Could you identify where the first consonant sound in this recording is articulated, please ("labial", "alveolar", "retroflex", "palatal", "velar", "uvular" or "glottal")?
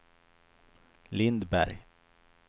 alveolar